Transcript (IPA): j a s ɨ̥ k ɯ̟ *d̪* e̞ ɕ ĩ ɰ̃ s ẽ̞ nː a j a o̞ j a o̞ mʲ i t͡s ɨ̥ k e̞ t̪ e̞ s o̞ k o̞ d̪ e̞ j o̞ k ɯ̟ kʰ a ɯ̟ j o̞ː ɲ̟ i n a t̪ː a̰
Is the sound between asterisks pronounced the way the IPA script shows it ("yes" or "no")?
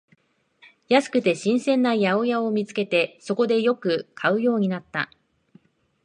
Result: no